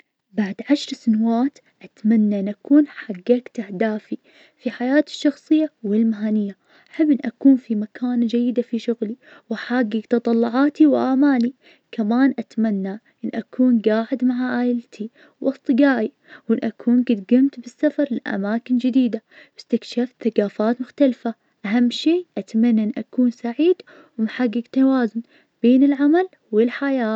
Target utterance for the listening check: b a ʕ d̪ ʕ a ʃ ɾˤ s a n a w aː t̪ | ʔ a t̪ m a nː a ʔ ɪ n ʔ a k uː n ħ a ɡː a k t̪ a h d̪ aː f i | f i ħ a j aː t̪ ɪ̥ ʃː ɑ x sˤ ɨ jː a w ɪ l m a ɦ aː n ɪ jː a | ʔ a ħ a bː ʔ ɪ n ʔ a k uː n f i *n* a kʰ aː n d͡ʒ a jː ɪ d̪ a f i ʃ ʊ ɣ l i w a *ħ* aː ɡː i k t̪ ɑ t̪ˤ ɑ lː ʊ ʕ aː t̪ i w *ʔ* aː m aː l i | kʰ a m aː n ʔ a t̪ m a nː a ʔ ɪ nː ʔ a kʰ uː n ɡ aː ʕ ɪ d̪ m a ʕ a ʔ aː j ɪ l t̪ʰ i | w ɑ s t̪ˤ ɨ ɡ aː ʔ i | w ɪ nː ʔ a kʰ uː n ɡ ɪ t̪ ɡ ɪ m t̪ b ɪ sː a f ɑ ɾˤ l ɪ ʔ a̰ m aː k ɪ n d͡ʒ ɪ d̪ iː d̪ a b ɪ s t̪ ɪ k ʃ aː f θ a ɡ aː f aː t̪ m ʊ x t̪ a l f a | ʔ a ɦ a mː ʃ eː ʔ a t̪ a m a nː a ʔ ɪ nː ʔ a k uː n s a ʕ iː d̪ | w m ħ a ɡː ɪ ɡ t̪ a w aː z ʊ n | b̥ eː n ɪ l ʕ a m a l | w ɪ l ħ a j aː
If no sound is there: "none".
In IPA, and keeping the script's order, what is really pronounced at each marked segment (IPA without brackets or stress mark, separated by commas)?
m, ħ, ʔ